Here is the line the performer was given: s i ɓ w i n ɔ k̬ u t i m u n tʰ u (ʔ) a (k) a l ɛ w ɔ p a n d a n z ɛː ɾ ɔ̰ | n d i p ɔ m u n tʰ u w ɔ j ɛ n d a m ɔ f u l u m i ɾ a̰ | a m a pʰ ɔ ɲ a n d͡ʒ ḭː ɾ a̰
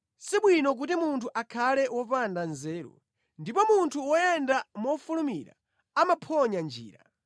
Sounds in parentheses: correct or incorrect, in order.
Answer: correct, incorrect

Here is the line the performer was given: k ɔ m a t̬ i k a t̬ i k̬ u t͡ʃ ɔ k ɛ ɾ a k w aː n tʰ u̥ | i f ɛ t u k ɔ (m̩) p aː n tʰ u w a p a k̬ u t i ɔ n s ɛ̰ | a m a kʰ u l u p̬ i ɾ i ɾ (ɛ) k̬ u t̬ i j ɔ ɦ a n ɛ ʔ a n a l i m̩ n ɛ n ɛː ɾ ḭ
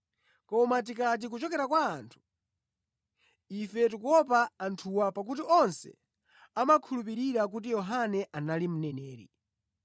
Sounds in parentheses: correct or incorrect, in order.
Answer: incorrect, incorrect

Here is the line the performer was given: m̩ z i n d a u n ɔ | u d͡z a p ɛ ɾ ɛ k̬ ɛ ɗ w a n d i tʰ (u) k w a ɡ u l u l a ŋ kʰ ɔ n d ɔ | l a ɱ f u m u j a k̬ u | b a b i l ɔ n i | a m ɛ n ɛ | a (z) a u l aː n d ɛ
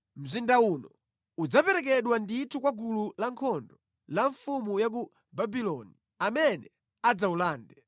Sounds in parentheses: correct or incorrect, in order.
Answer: correct, incorrect

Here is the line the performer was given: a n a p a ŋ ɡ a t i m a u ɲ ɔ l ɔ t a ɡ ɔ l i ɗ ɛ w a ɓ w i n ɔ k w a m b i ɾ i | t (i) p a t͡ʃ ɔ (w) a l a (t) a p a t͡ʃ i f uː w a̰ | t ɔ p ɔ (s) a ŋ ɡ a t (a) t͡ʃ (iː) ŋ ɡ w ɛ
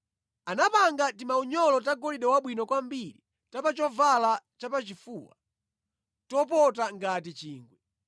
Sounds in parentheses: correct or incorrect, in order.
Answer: incorrect, incorrect, incorrect, incorrect, incorrect, correct

